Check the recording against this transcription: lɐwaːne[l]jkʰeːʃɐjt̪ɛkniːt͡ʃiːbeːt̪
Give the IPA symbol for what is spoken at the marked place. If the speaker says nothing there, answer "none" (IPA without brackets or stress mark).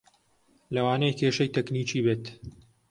none